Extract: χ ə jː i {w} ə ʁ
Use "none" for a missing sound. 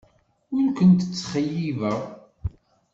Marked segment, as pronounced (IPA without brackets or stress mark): v